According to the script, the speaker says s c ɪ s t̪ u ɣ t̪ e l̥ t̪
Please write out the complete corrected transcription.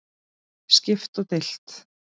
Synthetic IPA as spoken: s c ɪ f t̪ ɔ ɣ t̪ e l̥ t̪